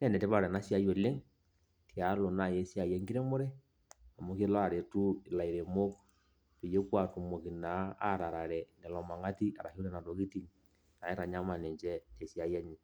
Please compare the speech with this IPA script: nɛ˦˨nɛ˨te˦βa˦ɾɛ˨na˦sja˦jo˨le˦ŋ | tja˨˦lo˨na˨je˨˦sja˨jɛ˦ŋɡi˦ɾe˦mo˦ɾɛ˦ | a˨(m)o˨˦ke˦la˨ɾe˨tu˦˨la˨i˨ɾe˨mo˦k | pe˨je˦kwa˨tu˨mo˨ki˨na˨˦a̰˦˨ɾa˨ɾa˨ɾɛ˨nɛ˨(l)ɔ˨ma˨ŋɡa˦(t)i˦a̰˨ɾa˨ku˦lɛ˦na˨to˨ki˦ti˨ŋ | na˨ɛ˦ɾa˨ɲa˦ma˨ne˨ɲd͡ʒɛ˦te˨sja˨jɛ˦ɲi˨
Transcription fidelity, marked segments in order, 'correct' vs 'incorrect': correct, correct, correct

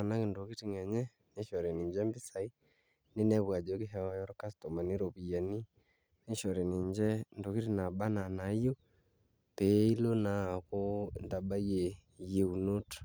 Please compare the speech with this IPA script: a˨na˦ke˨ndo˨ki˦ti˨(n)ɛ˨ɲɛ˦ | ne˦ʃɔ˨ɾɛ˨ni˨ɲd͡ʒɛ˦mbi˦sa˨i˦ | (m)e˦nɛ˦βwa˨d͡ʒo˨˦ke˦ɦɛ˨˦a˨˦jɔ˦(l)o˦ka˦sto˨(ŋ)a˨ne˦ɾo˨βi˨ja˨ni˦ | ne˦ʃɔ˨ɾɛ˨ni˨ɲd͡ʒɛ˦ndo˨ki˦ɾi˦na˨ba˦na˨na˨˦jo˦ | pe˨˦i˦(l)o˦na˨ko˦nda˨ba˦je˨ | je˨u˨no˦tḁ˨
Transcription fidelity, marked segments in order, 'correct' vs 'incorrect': incorrect, incorrect, incorrect, incorrect, correct

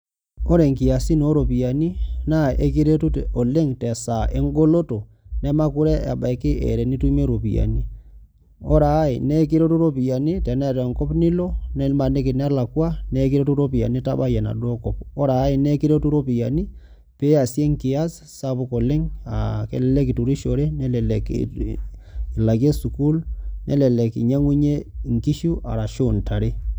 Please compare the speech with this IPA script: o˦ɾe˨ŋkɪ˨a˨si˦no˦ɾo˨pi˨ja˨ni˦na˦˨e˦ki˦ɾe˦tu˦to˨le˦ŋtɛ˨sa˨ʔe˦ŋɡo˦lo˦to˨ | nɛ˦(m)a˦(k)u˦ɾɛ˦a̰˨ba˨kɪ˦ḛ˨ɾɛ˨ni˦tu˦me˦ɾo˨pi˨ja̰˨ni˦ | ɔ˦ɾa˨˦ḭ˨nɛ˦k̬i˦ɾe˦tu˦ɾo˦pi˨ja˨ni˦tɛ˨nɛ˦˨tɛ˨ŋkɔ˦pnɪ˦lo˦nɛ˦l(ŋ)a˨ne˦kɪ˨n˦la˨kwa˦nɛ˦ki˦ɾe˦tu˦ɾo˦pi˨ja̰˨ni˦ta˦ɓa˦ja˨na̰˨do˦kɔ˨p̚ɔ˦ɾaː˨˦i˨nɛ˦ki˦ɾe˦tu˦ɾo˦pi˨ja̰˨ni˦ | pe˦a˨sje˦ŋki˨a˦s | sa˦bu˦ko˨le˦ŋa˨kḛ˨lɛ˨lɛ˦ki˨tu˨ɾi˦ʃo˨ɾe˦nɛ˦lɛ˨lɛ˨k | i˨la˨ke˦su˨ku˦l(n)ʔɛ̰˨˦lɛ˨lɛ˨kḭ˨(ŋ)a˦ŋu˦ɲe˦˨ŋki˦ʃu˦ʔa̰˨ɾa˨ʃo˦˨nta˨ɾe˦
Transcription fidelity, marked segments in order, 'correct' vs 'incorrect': correct, correct, incorrect, correct, incorrect

